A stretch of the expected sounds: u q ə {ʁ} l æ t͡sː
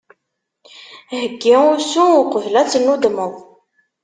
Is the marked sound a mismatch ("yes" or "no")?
yes